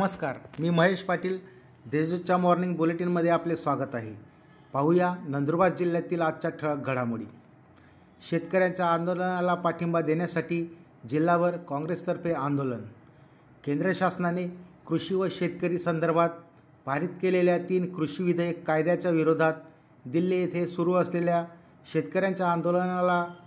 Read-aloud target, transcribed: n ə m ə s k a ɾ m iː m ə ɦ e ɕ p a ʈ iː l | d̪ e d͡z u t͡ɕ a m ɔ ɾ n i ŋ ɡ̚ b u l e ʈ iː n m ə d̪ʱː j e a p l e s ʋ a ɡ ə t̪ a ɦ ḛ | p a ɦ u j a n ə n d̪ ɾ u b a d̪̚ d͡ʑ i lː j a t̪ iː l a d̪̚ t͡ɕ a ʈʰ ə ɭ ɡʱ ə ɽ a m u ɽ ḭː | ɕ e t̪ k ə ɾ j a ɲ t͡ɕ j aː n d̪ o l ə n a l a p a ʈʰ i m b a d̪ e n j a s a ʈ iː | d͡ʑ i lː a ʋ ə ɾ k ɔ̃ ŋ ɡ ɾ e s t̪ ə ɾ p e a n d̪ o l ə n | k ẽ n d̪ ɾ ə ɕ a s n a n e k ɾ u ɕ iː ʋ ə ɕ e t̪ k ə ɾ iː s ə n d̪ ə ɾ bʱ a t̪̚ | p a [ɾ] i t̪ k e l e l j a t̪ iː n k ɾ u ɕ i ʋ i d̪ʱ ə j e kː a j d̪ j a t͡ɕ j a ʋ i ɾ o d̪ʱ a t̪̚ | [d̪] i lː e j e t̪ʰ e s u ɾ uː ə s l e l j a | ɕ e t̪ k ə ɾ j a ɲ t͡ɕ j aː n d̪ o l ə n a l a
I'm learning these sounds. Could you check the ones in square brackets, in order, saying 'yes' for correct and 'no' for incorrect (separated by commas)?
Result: yes, yes